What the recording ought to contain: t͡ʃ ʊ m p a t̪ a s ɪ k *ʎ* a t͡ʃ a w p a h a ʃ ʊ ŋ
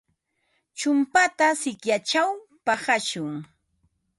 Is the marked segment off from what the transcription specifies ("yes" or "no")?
yes